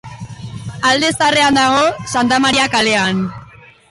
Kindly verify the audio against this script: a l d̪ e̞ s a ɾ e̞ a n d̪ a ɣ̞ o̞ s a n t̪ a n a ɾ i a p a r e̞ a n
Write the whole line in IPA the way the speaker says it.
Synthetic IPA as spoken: a l d̪ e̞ s a r e̞ a n d̪ a ɣ̞ o̞ s a n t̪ a m a ɾ i a k a l e̞ a n